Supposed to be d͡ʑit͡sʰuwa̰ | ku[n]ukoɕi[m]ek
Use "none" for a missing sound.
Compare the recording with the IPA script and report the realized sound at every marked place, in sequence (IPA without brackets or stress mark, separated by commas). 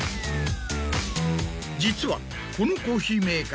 n, m